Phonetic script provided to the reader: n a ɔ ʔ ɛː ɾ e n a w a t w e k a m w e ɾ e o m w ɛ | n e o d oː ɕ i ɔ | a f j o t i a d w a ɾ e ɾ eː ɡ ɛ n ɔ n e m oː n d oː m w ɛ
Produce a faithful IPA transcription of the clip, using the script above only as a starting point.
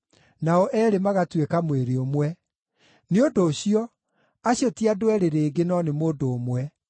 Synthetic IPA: n a ɔ ʔ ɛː ɾ e m a ɣ a t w e k a m w e ɾ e o m w ɛ | n e o d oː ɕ i ɔ | a ɕ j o t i a d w ɛ ɾ e ɾ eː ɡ e n ɔ n e m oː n d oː m w ɛ